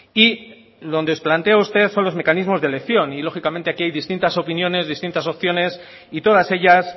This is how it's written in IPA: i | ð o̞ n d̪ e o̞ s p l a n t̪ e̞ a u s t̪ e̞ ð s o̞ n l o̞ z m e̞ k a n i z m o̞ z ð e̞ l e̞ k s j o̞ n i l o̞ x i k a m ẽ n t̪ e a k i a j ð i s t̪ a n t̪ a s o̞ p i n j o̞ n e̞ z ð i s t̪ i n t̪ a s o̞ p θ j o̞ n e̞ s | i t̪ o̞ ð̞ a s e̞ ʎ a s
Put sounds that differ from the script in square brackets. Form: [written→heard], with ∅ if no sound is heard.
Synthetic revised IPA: i | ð o̞ n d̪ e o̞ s p l a n t̪ e̞ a u s t̪ e̞ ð s o̞ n l o̞ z m e̞ k a n i z m o̞ z ð e̞ l e̞ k [s→θ] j o̞ n i l o̞ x i k a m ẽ n t̪ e a k i a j ð i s t̪ [a→i] n t̪ a s o̞ p i n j o̞ n e̞ z ð i s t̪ i n t̪ a s o̞ p θ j o̞ n e̞ s | i t̪ o̞ ð̞ a s e̞ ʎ a s